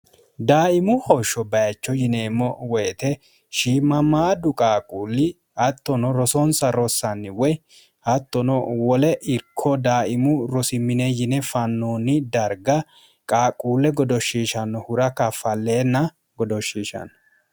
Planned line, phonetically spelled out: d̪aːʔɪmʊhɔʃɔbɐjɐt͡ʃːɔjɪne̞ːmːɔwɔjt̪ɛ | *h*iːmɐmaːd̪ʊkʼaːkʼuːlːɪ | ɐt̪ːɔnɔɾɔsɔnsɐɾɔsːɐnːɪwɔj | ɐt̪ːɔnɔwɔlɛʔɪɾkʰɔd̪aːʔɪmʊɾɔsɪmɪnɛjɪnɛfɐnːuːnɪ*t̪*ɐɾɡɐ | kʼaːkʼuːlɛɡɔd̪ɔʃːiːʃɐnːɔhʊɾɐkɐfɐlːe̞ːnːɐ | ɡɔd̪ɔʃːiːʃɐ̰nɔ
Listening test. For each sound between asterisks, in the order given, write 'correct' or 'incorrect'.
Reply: incorrect, incorrect

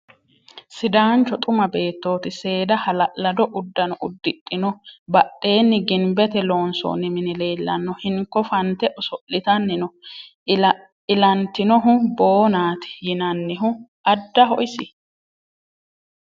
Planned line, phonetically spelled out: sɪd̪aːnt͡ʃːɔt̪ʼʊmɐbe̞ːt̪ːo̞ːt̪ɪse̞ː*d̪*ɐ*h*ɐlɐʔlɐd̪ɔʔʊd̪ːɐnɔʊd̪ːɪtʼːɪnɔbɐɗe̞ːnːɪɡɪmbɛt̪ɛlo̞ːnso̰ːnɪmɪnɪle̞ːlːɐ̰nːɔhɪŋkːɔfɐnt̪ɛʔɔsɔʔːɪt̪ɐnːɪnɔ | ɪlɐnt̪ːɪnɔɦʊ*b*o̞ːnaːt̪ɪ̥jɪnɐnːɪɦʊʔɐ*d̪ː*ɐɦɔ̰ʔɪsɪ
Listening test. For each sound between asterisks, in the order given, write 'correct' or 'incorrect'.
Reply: correct, correct, correct, correct

